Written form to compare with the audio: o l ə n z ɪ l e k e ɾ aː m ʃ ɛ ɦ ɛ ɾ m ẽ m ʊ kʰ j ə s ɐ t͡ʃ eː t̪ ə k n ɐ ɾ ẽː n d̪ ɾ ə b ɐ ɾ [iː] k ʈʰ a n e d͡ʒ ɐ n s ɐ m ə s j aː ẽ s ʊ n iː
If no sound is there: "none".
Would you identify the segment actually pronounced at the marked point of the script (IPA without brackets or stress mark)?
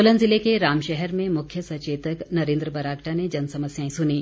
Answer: aː